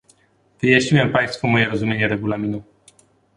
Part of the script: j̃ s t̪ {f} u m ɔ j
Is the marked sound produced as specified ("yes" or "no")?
yes